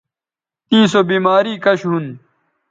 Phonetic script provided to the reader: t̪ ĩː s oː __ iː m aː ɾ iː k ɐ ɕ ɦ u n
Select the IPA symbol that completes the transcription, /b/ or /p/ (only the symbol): b